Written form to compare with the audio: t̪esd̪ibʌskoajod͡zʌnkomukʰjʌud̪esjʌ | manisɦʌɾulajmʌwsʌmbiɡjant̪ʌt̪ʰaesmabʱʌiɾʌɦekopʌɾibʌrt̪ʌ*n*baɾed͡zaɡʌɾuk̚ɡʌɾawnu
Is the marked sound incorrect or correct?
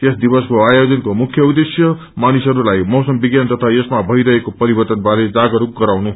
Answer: correct